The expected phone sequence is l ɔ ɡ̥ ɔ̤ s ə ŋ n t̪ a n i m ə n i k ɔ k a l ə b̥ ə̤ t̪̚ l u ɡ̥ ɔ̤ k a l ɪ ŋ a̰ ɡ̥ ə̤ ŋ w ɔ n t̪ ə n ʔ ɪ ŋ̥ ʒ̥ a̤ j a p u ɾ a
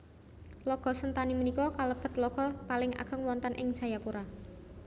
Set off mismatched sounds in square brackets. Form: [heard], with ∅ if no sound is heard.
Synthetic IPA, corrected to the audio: l ɔ ɡ̥ ɔ̤ s ə [∅] n t̪ a n i m ə n i k ɔ k a l ə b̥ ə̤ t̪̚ l [ɔ] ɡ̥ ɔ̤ [p] a l ɪ ŋ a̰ ɡ̥ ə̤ ŋ w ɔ n t̪ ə n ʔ ɪ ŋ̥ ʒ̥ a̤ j a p u ɾ a